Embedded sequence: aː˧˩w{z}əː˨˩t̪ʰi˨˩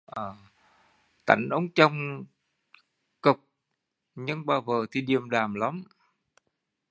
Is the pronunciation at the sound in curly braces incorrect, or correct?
incorrect